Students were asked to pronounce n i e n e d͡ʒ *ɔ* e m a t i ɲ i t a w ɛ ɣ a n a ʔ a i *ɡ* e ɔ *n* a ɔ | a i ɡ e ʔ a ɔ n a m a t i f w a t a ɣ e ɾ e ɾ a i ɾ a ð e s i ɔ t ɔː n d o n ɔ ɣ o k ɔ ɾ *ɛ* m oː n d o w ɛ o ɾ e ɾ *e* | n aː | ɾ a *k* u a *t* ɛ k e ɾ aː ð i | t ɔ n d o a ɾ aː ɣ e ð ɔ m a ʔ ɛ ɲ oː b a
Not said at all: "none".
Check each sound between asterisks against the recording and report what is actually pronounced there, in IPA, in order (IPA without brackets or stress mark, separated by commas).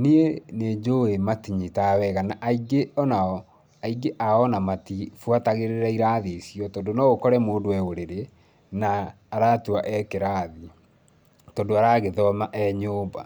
o, ɡ, n, ɛ, e, t, ʔ